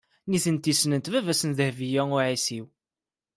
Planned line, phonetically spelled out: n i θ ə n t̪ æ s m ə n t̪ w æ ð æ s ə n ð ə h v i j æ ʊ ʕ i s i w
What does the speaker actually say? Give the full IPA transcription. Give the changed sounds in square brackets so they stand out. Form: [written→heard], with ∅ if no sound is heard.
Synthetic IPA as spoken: n i θ ə n t̪ [æ→i] s [m→n] ə n t̪ [w→v] æ [ð→v] æ s ə n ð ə h v i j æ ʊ ʕ i s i w